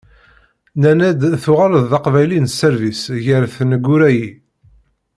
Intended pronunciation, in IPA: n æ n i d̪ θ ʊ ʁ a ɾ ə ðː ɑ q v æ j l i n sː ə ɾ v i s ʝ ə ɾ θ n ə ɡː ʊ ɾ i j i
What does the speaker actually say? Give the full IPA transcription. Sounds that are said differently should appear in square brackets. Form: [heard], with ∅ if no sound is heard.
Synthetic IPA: n æ n [æ] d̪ θ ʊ ʁ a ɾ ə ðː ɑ q v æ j l i n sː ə ɾ v i s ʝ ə ɾ θ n ə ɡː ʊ ɾ [æ] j i